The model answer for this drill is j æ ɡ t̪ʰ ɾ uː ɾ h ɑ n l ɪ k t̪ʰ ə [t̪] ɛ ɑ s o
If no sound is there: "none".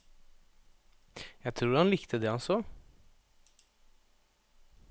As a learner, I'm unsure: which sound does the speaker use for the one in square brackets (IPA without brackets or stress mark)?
d̪